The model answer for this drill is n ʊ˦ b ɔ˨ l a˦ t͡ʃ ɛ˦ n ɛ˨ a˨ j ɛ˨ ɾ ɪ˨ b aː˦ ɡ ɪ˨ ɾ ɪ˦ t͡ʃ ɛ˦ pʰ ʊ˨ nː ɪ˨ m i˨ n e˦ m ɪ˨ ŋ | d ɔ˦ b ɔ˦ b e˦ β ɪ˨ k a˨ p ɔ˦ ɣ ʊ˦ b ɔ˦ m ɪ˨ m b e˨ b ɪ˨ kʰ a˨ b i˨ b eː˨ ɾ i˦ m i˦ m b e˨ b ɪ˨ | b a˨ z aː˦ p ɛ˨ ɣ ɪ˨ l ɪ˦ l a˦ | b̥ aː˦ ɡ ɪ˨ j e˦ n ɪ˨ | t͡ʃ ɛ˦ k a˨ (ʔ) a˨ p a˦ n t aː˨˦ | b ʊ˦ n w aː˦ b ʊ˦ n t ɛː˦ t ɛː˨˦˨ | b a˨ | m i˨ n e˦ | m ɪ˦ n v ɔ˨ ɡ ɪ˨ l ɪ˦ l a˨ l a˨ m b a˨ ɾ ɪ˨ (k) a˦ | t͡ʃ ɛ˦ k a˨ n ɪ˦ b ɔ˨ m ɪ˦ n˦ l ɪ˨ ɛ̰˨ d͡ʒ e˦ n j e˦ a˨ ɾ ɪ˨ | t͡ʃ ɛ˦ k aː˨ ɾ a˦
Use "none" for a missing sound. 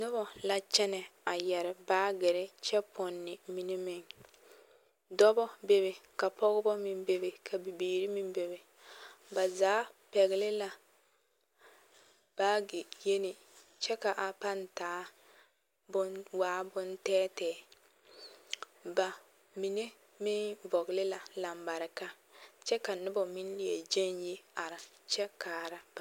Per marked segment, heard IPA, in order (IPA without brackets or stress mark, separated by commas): ʔ, k